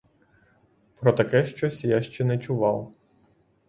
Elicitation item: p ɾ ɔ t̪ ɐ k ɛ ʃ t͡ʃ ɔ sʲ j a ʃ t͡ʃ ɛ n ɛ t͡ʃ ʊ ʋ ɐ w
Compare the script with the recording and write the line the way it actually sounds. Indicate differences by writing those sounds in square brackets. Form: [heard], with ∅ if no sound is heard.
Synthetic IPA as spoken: p ɾ ɔ t̪ ɐ k ɛ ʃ t͡ʃ ɔ sʲ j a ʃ t͡ʃ ɛ n ɛ t͡ʃ ʊ ʋ [ɑ] w